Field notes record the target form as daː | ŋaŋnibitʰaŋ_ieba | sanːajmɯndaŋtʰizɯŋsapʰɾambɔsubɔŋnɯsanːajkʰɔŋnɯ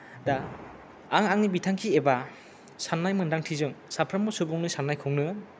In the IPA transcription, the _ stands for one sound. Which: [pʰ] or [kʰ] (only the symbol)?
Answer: kʰ